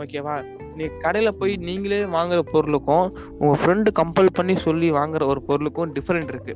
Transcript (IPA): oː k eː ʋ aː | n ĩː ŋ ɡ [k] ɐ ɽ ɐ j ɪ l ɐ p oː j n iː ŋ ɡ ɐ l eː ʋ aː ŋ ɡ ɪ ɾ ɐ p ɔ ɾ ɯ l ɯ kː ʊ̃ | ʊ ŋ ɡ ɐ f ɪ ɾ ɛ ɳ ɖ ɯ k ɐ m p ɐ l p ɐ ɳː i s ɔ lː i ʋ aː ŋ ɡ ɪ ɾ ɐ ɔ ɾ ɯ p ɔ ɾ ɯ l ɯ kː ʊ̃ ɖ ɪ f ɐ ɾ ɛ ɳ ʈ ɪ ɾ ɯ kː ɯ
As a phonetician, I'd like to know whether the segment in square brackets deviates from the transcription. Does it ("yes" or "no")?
no